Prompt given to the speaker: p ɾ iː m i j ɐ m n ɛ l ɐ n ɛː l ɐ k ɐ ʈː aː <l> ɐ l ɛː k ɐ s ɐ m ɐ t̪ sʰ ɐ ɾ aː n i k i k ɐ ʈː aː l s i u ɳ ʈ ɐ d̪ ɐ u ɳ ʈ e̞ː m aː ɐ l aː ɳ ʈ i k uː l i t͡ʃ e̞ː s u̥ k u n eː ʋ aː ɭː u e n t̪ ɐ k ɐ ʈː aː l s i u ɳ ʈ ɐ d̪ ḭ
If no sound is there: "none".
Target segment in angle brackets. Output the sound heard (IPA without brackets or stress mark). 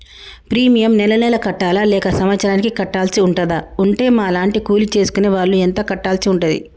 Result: l